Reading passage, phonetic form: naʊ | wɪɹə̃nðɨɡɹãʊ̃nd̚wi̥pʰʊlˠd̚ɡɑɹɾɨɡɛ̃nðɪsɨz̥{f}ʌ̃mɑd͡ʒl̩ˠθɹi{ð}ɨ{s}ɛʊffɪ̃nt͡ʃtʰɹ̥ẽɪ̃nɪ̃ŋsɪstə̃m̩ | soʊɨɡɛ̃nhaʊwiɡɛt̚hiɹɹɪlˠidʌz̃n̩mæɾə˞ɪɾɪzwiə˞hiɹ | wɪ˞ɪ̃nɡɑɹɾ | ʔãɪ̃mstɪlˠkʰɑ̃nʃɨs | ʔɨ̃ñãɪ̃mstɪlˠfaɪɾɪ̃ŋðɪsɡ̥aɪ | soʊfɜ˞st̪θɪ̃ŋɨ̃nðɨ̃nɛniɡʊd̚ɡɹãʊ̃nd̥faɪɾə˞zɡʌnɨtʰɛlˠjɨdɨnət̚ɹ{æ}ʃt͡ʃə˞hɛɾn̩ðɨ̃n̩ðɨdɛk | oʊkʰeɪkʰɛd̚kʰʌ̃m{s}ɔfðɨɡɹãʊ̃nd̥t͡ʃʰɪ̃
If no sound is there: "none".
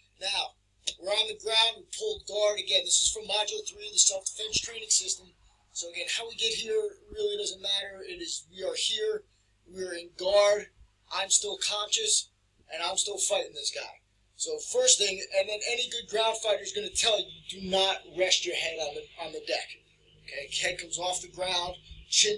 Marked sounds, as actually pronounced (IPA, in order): f, ð, s, ɛ, z

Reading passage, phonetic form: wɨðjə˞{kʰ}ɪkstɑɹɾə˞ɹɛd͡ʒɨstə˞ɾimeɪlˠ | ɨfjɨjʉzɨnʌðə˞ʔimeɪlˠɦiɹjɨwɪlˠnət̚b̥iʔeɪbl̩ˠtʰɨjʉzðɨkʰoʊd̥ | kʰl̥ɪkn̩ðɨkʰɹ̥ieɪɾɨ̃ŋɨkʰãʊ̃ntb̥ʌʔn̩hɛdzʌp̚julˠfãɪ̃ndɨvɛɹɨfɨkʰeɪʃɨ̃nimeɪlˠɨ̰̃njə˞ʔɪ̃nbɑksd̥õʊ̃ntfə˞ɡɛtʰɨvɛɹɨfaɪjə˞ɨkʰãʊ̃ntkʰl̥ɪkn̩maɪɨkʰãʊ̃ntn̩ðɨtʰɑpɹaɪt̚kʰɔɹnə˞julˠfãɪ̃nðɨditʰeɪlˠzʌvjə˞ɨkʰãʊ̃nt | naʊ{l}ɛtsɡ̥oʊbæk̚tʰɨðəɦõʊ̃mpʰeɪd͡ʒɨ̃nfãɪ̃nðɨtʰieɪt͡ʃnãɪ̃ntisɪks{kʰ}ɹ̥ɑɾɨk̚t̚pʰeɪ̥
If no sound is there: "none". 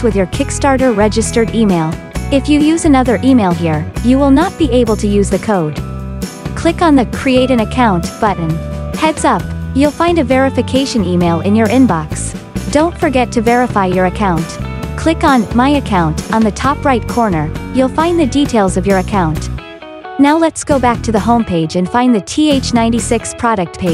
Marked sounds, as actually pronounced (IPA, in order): kʰ, l, pʰ

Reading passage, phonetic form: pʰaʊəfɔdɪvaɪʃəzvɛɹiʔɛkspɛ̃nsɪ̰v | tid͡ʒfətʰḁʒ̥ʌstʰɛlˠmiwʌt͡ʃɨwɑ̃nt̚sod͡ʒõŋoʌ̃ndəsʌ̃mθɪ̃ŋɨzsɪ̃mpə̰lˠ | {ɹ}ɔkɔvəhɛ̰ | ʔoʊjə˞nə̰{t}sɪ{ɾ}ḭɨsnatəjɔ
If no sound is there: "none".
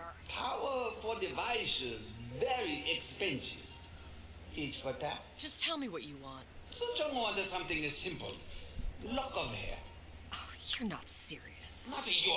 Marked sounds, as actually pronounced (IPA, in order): l, t, ɹ

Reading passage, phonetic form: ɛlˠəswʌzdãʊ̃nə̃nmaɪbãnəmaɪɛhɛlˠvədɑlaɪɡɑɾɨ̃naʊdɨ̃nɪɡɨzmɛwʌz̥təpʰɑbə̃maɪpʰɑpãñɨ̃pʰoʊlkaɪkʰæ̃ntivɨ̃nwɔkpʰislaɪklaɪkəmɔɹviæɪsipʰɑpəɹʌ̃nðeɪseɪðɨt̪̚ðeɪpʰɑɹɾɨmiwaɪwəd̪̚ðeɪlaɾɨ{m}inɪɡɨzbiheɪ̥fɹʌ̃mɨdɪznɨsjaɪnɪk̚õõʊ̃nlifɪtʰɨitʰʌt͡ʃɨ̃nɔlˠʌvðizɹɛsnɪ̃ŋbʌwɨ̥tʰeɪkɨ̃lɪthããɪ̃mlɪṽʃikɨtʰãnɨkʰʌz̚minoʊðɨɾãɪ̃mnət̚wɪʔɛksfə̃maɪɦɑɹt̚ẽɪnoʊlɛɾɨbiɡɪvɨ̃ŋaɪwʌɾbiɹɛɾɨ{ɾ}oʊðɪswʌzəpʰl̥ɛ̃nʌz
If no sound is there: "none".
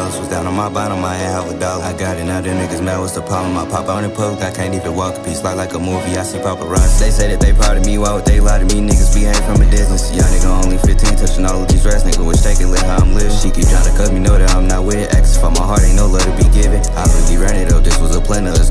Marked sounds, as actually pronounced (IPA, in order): m, ɾ

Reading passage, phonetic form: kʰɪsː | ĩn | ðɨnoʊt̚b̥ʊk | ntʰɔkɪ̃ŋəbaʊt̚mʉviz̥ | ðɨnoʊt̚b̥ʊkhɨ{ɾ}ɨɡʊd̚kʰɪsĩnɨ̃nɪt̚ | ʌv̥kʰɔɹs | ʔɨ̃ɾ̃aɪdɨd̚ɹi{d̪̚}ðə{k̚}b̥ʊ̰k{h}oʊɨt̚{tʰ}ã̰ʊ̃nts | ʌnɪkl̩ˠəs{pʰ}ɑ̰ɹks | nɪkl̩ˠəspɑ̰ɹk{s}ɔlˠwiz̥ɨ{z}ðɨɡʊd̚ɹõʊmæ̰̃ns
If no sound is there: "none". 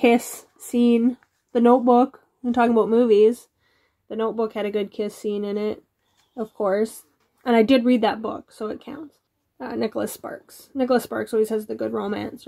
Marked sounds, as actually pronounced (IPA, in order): ɾ, d̪̚, t̚, s, kʰ, p, s, z

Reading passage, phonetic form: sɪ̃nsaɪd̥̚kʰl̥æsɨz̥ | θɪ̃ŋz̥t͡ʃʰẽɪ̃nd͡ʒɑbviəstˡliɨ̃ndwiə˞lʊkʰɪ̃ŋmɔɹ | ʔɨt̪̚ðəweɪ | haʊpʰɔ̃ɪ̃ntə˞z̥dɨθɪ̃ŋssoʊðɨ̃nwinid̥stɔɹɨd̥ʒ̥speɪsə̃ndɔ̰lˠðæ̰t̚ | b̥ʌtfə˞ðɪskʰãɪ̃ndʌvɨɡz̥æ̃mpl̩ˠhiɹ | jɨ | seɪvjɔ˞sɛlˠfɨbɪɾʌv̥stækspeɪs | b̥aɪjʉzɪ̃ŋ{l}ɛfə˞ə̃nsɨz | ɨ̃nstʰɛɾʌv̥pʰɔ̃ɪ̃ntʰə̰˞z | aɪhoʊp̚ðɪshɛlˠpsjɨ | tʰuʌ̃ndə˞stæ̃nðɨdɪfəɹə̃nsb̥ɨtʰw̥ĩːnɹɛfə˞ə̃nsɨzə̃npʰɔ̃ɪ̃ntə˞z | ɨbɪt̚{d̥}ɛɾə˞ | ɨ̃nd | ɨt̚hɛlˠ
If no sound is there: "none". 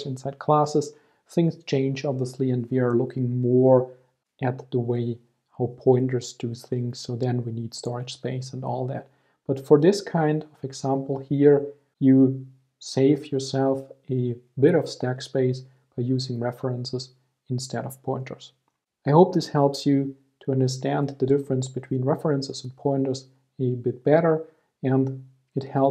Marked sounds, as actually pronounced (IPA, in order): ɹ, b̥

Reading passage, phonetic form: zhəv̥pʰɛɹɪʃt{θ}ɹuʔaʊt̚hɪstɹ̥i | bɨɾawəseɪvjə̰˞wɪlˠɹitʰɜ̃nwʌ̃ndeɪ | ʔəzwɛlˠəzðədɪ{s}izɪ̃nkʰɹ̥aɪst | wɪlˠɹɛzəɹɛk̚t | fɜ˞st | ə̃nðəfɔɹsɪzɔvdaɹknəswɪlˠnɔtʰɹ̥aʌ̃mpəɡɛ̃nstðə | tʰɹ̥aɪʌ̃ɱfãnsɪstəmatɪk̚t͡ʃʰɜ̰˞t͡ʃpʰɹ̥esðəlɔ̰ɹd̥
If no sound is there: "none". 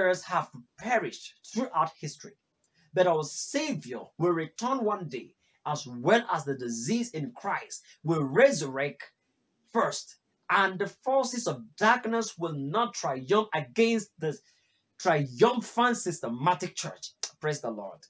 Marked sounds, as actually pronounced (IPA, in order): θ, z

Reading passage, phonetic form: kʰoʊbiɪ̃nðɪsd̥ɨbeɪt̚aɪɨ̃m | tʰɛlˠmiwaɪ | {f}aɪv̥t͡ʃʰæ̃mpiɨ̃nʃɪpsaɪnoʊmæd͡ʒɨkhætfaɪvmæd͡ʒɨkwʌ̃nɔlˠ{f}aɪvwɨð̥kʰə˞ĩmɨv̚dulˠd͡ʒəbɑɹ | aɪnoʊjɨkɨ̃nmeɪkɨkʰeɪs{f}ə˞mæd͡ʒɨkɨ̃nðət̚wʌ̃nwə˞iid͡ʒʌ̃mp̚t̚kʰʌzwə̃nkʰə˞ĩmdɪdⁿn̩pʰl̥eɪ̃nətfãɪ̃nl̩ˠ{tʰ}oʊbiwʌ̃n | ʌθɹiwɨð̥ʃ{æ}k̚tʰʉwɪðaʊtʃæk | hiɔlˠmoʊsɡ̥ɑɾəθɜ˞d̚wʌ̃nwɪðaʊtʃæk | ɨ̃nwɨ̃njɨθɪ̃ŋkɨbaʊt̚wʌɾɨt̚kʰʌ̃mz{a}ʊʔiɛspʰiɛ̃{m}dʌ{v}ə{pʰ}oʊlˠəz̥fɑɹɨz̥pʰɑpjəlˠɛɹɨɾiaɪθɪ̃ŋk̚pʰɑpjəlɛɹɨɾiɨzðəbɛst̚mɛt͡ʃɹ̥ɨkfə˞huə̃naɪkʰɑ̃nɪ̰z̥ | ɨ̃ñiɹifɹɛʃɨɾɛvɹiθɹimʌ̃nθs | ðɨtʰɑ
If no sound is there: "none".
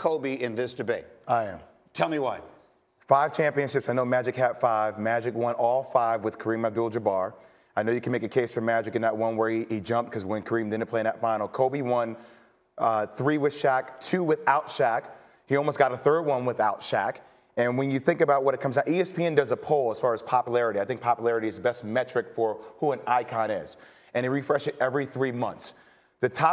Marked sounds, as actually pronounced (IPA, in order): f, f, f, kʰ, æ, a, n, z, pʰ

